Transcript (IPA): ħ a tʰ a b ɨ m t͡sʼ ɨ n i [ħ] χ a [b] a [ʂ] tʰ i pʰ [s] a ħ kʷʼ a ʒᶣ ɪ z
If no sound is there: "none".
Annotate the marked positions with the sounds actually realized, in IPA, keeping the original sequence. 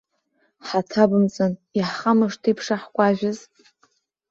ħ, m, ʂ, ʂ

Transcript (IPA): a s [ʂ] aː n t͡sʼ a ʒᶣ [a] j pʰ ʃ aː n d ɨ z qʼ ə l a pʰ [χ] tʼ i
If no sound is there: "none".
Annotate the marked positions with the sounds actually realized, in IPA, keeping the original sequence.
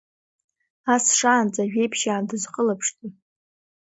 ʂ, e, ʂ

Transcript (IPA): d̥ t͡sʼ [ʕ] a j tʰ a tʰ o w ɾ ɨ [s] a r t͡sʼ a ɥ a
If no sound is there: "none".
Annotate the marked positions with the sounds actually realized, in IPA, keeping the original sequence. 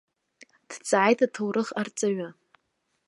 ʕ, χ

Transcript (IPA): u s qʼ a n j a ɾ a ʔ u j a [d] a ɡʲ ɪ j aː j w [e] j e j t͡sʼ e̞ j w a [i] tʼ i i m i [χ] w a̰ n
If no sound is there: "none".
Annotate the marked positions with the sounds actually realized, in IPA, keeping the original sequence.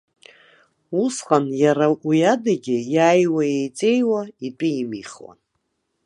d, a, i, χ

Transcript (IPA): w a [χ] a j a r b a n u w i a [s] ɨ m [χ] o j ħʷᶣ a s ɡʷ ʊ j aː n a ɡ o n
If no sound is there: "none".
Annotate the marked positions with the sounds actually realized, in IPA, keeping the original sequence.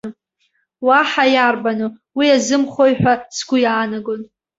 ħ, z, χ

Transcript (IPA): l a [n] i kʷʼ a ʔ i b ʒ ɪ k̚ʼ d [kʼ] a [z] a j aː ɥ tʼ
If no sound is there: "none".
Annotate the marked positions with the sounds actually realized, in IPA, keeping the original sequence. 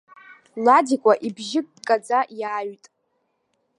d, kʼ, d͡z

